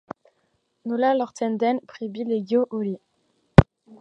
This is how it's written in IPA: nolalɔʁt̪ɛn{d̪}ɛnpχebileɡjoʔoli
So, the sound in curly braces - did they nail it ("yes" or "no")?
yes